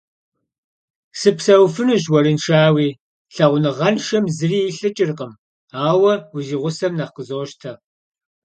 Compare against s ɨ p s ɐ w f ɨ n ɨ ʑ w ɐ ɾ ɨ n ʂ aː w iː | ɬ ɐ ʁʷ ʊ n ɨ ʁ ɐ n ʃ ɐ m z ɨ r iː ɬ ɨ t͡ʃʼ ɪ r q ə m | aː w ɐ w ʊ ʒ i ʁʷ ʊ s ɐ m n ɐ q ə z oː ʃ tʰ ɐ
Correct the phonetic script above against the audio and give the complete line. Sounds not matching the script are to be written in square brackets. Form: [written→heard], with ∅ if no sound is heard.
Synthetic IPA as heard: s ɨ p s ɐ w f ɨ n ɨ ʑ w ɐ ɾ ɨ n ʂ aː w iː | ɬ ɐ ʁʷ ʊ n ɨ ʁ ɐ n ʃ ɐ m z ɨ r iː ɬ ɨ t͡ʃʼ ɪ r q ə m | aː w ɐ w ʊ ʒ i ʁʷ ʊ s ɐ m n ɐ q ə z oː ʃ tʰ ɐ